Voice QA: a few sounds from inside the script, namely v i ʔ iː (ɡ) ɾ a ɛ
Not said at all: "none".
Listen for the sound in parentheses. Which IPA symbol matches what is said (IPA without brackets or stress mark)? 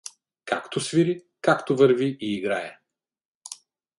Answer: ɡ